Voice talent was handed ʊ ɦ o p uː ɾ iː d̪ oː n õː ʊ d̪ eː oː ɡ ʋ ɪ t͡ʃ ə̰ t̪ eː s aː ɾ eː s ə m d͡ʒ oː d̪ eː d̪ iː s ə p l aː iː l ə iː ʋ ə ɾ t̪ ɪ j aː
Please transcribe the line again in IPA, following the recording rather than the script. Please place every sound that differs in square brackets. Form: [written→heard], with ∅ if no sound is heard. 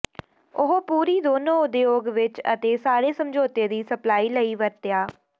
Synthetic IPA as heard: ʊ ɦ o p uː ɾ iː d̪ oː n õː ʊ d̪ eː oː ɡ ʋ ɪ t͡ʃ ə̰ t̪ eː s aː ɾ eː s ə m d͡ʒ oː [d̪→t̪] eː d̪ iː s ə p l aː iː l ə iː ʋ ə ɾ t̪ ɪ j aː